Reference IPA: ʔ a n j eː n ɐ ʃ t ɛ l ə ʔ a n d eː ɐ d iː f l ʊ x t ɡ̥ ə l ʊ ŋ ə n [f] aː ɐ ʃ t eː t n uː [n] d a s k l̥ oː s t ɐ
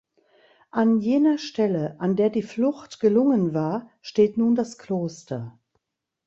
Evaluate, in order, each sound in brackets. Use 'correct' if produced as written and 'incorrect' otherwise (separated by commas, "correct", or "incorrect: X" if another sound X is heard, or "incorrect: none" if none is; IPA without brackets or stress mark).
incorrect: v, correct